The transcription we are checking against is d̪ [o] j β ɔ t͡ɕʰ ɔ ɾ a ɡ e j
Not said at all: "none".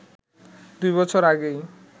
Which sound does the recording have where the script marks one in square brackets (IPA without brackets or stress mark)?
u